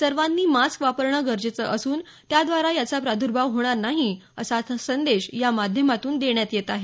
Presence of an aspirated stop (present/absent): absent